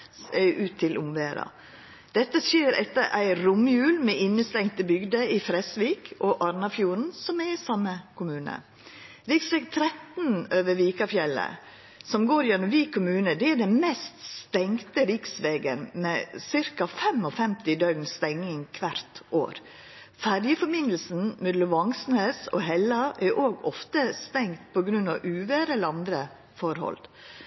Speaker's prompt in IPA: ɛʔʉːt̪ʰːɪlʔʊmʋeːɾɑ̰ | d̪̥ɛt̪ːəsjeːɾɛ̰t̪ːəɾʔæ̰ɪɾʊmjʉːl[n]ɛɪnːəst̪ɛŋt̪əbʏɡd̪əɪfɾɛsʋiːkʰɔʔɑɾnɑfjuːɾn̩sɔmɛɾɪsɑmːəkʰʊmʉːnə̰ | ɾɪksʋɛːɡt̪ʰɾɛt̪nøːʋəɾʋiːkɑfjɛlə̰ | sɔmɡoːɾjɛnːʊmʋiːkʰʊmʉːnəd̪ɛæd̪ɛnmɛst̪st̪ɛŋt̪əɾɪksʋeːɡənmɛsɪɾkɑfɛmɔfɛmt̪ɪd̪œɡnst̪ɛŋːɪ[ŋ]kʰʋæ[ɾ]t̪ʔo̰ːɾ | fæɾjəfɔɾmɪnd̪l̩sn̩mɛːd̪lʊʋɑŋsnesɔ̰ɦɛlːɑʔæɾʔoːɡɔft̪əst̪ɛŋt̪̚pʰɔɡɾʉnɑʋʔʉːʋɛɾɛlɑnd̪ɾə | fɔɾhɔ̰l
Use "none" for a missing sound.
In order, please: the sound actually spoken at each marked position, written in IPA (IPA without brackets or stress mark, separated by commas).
m, ŋ, ɾ